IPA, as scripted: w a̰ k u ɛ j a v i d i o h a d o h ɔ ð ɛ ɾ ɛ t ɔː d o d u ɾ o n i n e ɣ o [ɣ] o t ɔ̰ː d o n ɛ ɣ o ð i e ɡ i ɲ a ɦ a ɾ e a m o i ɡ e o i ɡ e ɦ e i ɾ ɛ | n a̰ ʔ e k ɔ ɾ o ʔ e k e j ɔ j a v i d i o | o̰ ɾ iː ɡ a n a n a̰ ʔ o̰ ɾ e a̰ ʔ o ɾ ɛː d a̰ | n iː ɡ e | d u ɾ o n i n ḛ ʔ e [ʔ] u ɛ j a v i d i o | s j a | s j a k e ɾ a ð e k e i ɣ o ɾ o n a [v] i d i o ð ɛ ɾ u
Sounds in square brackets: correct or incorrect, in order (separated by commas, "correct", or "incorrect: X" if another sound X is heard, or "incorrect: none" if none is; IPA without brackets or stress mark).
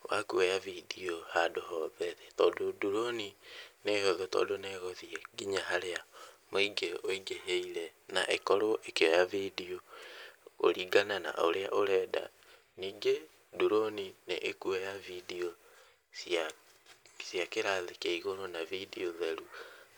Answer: incorrect: ð, incorrect: k, correct